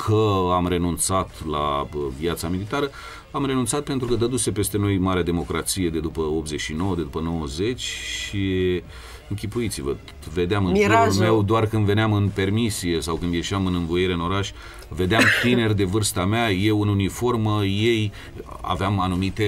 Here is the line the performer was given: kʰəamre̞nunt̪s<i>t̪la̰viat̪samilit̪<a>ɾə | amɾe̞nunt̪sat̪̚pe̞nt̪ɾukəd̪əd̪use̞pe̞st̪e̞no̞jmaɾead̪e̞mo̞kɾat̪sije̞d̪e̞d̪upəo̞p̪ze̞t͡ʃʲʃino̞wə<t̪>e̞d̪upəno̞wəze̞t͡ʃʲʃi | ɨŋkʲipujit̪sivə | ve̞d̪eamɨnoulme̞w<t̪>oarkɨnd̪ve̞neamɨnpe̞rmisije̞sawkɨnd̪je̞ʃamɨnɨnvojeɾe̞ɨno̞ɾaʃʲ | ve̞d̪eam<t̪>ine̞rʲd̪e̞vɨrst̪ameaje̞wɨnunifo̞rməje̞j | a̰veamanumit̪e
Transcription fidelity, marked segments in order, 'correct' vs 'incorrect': incorrect: a, correct, incorrect: d̪, incorrect: d̪, correct

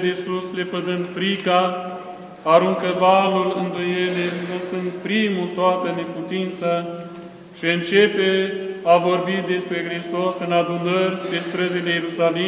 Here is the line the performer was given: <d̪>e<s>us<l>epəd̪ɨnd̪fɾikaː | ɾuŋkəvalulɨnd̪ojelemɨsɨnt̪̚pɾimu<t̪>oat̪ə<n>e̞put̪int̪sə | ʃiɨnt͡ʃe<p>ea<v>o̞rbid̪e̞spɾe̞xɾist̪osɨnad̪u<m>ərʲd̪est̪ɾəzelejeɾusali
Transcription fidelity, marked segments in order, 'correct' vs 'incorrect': correct, correct, correct, correct, correct, correct, correct, incorrect: n

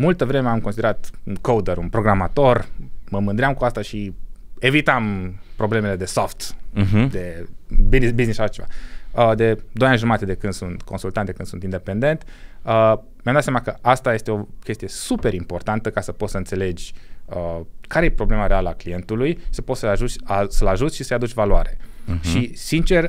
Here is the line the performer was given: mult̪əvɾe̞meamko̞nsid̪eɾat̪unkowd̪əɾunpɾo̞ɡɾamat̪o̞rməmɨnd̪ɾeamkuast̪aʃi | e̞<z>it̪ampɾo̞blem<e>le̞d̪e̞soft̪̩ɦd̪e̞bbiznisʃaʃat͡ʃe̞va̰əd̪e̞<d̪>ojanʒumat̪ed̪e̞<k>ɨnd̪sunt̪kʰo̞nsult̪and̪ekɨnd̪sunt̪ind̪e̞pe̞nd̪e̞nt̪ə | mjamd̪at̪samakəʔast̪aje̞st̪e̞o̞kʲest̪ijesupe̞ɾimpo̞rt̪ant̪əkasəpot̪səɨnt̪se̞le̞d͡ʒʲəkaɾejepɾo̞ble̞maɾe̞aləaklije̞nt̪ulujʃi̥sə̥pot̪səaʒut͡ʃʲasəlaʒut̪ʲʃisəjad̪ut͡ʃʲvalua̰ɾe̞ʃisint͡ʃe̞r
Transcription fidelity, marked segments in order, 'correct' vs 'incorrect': incorrect: v, correct, correct, correct

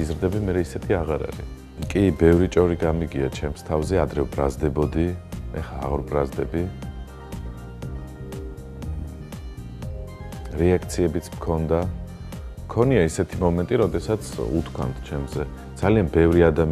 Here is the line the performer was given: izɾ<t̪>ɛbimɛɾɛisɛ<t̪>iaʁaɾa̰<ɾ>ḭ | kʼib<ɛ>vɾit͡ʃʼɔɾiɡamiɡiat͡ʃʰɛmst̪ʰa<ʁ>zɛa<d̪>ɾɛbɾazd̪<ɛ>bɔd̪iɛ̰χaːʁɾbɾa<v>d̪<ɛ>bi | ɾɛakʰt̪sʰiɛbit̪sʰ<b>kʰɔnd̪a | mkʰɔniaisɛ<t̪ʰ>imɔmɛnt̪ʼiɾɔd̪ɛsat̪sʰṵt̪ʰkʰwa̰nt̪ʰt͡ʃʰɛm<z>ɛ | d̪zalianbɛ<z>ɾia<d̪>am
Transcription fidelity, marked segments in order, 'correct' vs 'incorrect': incorrect: d̪, incorrect: t̪ʰ, correct, correct, incorrect: v, correct, correct, incorrect: z, correct, incorrect: m, correct, correct, incorrect: v, correct

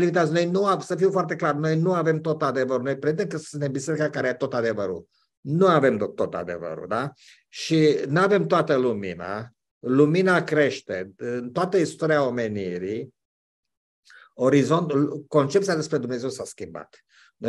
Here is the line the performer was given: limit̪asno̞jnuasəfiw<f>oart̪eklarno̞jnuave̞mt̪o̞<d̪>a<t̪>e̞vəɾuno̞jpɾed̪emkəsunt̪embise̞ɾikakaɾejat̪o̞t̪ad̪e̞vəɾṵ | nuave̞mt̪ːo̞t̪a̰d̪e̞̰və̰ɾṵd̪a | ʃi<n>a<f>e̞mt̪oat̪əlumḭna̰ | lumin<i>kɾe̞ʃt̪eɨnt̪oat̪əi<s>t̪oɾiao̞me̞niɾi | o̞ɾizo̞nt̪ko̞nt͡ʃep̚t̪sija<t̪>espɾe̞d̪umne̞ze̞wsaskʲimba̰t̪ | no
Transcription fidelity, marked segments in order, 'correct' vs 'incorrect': correct, incorrect: t̪, incorrect: d̪, correct, incorrect: v, incorrect: a, correct, incorrect: d̪

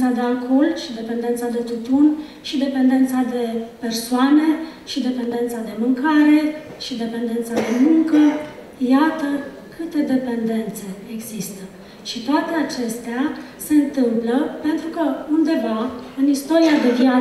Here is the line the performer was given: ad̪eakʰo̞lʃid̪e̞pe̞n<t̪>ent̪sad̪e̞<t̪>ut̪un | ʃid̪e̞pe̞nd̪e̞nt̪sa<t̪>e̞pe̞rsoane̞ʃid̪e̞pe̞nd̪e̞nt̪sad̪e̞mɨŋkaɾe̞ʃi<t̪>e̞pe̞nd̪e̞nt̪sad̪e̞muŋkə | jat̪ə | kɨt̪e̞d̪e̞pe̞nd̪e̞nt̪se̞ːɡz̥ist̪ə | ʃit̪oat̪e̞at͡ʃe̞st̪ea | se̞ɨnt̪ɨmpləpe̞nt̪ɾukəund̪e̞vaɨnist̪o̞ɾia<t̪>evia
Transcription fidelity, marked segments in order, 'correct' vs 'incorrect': incorrect: d̪, correct, incorrect: d̪, incorrect: d̪, incorrect: d̪

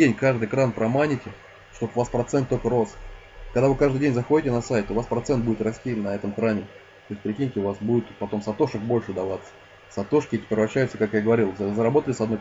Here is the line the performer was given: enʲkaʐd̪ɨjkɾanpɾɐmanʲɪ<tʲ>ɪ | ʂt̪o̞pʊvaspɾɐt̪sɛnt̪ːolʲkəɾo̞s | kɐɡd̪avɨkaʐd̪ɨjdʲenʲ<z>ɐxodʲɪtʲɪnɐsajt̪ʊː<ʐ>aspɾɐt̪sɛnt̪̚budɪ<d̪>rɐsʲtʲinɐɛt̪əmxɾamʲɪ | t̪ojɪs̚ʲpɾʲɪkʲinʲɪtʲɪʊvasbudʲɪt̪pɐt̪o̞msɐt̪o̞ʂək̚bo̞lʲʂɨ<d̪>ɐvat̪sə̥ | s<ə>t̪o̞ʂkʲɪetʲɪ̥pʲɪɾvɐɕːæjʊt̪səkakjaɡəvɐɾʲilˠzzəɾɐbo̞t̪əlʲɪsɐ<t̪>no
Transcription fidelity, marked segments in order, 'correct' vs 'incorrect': correct, correct, incorrect: v, incorrect: t̪, correct, incorrect: ɐ, incorrect: d̪

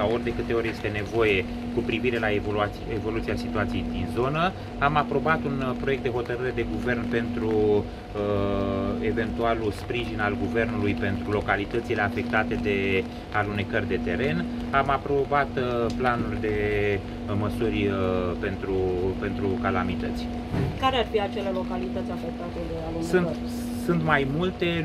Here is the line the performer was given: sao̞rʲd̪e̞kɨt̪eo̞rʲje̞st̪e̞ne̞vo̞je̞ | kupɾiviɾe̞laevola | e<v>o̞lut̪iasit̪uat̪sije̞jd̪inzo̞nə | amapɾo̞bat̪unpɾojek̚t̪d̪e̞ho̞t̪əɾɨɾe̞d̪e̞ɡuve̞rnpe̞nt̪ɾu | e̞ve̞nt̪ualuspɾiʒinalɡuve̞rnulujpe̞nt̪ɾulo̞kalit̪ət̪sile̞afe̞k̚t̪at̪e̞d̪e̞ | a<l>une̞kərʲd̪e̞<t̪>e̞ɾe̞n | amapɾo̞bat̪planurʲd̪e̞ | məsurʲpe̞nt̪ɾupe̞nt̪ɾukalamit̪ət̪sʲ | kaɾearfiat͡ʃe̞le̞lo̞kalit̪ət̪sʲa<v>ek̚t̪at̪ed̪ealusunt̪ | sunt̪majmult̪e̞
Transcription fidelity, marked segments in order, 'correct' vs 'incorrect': correct, correct, correct, incorrect: f

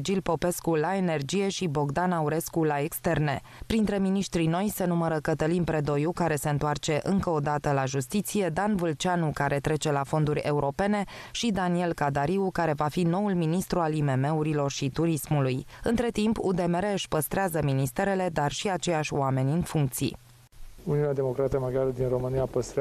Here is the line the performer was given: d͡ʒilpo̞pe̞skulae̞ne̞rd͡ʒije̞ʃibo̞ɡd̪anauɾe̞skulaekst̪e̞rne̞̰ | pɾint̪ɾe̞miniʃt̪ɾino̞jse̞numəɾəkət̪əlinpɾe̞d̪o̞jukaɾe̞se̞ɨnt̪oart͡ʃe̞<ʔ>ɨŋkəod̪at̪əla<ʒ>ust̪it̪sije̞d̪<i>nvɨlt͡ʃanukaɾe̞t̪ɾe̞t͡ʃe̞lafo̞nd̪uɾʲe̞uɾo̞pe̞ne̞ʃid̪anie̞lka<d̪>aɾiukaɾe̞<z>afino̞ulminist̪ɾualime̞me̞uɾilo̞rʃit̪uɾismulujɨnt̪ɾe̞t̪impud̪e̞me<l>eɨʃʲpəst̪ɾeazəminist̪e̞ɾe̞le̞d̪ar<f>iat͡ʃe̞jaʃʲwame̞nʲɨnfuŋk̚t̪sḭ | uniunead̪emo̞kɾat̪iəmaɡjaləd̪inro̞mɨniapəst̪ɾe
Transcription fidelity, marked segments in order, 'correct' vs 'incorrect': correct, correct, incorrect: a, correct, incorrect: v, incorrect: ɾ, incorrect: ʃ

